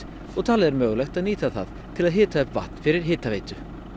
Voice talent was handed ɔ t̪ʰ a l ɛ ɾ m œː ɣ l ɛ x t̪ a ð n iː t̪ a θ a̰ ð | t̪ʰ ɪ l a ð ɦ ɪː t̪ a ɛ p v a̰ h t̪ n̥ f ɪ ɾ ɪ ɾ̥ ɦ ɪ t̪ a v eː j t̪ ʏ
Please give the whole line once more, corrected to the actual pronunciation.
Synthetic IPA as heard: ɔ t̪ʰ a l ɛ ɾ m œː ɣ l ɛ x t̪ a ð n iː t̪ a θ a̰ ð | t̪ʰ ɪ l a ð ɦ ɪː t̪ a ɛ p v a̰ h t̪ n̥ f ɪ ɾ ɪ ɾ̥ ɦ ɪː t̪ a v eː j t̪ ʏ